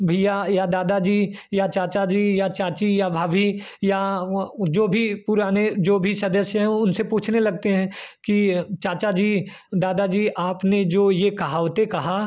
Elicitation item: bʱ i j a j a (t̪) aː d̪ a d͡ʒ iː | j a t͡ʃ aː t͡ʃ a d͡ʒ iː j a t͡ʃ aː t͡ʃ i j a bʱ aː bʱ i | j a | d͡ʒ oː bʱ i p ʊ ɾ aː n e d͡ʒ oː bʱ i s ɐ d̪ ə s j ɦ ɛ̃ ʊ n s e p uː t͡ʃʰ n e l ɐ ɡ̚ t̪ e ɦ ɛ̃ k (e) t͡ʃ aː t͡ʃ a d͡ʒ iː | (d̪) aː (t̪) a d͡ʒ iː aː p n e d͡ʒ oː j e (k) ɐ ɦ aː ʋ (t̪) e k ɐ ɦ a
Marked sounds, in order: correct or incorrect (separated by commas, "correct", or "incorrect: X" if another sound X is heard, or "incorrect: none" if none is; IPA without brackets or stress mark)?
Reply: incorrect: d̪, incorrect: i, correct, incorrect: d̪, correct, correct